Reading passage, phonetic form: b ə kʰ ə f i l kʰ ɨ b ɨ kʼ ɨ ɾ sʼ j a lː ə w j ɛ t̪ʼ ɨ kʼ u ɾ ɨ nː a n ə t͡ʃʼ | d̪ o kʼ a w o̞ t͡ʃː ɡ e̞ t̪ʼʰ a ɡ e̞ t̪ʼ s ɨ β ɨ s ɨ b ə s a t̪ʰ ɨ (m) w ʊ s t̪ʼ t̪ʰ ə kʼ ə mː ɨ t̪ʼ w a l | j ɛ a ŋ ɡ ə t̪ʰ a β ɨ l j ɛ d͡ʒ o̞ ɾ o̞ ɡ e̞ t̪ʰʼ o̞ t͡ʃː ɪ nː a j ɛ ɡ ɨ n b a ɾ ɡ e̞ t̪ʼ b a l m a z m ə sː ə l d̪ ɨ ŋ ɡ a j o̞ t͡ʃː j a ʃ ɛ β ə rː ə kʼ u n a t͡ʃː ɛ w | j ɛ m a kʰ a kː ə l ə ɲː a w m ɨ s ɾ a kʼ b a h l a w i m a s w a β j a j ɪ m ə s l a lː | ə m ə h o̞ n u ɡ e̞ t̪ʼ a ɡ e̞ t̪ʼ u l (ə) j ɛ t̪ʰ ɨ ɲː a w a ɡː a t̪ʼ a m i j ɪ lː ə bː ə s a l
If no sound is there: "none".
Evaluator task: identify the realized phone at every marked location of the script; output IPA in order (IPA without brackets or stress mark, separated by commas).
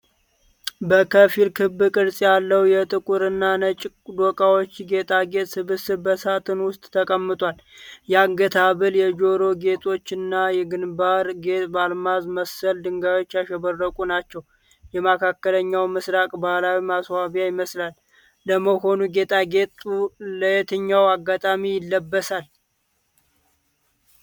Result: n, ə